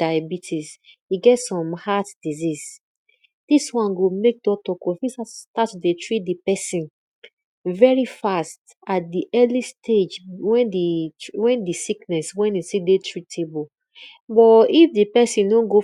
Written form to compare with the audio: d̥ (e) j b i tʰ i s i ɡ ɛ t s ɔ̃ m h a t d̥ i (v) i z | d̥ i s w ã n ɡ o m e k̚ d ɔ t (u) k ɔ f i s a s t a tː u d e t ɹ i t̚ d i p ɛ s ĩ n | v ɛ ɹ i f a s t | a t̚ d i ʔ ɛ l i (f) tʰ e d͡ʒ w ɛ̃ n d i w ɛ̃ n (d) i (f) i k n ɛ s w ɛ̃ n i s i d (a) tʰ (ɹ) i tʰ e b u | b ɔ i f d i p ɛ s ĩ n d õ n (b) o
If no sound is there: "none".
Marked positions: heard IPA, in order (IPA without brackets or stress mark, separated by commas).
a, z, ɔ, s, d, s, e, ɹ, ɡ